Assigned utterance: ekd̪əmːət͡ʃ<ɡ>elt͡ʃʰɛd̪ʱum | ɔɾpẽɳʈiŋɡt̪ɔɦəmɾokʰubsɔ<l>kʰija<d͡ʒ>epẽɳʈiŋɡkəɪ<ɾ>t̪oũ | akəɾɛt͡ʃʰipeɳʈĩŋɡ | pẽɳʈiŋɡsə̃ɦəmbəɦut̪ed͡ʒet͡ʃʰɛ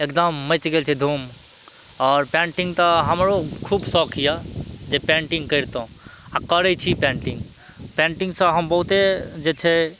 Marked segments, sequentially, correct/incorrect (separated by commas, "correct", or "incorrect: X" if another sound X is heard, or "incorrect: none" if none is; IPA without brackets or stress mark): correct, incorrect: none, correct, correct